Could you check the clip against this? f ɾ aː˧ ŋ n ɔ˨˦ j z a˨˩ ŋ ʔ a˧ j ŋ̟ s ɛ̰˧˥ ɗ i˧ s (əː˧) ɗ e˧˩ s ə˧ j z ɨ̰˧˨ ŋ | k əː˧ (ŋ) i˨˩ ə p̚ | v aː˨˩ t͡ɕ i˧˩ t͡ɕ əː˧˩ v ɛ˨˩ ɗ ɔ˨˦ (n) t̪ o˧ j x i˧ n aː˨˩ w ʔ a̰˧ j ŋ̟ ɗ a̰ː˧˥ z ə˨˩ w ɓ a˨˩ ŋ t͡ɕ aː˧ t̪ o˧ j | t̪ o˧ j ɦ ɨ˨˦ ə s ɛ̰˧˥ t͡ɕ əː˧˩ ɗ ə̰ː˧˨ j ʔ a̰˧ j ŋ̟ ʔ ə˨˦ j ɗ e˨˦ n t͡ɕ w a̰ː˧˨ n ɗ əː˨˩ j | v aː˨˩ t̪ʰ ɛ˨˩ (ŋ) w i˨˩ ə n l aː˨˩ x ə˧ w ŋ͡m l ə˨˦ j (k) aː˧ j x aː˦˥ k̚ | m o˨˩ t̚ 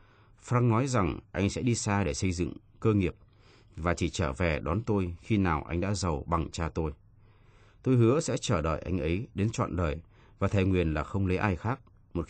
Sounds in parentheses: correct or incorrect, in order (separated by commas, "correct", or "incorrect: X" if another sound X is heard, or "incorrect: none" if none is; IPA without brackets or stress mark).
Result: incorrect: aː˧, correct, correct, correct, incorrect: ʔ